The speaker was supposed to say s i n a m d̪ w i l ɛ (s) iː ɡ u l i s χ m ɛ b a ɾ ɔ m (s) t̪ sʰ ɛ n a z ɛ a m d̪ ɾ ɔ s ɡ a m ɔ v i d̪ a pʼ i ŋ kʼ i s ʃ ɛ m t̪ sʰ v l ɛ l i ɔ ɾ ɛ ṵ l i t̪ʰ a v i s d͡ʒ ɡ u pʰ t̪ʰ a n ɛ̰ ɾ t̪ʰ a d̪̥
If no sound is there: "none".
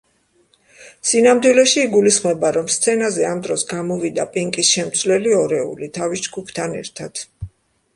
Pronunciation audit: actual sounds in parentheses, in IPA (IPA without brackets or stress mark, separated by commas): ʃ, s